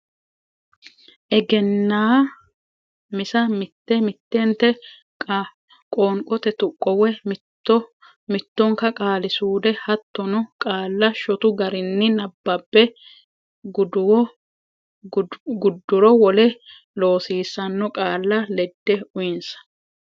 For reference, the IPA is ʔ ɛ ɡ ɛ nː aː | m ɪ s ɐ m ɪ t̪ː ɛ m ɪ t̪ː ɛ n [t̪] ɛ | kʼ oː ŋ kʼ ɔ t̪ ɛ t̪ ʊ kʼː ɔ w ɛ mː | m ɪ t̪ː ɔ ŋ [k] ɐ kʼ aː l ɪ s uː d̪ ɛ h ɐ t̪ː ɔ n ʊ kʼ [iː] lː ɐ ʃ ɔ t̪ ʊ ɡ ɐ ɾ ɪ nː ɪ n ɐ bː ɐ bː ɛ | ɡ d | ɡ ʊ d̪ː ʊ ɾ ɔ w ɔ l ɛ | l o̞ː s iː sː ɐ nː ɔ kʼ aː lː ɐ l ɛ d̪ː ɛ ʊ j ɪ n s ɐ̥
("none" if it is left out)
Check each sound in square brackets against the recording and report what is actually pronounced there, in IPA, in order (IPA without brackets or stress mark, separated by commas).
t̪, k, aː